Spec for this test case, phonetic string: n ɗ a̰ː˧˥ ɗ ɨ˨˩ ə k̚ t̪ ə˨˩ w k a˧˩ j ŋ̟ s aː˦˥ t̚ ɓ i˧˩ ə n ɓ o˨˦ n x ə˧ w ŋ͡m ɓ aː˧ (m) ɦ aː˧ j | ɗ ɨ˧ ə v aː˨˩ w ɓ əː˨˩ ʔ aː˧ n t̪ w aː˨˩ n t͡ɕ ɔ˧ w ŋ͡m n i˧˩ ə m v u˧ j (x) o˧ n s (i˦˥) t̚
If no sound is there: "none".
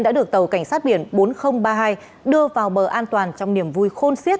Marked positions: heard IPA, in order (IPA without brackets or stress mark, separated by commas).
none, x, i˦˥